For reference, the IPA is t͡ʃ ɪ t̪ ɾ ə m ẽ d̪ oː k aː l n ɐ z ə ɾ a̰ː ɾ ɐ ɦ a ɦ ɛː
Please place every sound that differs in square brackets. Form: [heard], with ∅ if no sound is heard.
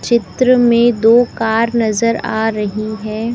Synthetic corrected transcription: t͡ʃ ɪ t̪ ɾ ə m ẽ d̪ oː k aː [ɾ] n ɐ z ə ɾ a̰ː ɾ ɐ ɦ [i] ɦ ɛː